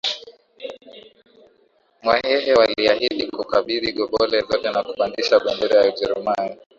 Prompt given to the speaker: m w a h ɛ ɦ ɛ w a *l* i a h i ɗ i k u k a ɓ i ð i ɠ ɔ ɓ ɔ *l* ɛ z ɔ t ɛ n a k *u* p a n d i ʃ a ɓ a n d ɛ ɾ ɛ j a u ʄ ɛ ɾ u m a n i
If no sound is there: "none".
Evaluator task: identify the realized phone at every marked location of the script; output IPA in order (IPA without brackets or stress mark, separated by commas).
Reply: l, l, u